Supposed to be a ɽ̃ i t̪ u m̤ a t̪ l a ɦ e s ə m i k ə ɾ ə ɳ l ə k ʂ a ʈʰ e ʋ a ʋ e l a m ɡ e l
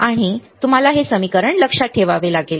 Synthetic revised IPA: a ɽ̃ i t̪ u m̤ a l a ɦ e s ə m i k ə ɾ ə ɳ l ə k ʂ a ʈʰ e ʋ a ʋ e l a ɡ e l